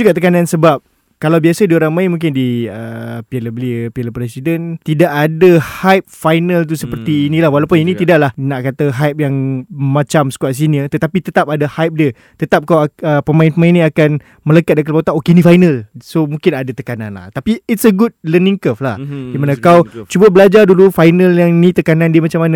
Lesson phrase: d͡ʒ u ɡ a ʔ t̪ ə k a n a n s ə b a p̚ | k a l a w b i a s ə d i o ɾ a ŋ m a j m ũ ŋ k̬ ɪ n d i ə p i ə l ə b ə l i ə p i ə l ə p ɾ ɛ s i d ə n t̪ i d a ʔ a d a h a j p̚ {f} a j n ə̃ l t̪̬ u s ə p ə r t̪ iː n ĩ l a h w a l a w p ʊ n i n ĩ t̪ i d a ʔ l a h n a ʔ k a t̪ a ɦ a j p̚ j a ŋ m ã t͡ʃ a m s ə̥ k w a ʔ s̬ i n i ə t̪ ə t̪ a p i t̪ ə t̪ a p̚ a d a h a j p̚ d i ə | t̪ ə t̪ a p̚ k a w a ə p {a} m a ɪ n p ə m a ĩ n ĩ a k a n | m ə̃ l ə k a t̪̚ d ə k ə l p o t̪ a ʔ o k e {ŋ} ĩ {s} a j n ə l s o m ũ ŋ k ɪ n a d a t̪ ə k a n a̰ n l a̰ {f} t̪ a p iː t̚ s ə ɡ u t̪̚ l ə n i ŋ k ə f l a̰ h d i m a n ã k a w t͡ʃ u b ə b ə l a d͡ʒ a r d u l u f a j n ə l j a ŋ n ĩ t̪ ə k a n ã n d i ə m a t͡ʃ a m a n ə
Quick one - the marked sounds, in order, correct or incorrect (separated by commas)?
correct, incorrect, incorrect, incorrect, incorrect